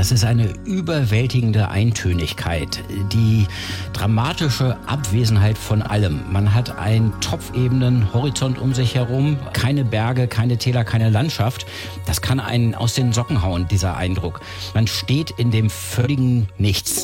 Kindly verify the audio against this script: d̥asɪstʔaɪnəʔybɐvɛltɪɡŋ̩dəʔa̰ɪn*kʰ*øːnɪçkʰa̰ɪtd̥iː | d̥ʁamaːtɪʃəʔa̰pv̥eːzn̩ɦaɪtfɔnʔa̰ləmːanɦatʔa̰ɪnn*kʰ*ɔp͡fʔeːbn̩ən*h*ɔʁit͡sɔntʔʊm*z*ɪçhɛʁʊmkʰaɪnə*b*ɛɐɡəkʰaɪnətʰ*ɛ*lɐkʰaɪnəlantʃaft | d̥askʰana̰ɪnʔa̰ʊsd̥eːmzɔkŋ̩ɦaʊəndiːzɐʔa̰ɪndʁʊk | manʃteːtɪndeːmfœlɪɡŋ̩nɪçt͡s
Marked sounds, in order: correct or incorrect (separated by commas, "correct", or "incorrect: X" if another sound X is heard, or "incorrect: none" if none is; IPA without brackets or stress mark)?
incorrect: tʰ, incorrect: tʰ, correct, correct, correct, incorrect: ɛː